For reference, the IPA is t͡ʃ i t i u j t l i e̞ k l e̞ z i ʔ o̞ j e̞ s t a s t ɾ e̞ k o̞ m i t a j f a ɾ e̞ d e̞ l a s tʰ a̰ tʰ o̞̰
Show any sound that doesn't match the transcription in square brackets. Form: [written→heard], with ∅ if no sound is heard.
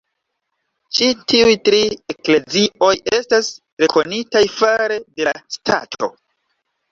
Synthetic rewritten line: t͡ʃ i t i u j t [l→ɾ] i e̞ k l e̞ z i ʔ o̞ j e̞ s t a s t ɾ e̞ k o̞ [m→n] i t a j f a ɾ e̞ d e̞ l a s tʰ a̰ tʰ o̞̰